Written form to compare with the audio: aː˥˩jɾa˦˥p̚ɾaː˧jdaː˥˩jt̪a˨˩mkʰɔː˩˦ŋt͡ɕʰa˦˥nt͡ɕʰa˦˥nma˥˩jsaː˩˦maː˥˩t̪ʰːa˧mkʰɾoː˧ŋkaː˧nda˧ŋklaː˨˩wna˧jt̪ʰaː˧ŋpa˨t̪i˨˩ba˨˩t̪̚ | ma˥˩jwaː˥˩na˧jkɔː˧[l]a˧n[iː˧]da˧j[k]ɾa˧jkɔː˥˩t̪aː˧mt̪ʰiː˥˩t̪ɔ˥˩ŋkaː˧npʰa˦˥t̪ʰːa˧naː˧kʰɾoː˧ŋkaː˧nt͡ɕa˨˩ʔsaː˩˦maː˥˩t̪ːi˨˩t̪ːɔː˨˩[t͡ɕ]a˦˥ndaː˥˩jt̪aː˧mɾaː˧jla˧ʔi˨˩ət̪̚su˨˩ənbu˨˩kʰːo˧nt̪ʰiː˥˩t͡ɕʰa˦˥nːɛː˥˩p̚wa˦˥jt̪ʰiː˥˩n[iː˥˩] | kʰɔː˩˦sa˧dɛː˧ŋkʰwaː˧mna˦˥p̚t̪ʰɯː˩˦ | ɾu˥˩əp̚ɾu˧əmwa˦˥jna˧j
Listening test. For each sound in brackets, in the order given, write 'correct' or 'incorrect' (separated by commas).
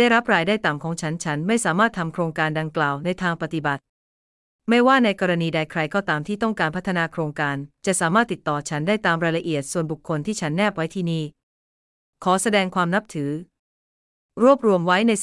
incorrect, correct, incorrect, incorrect, correct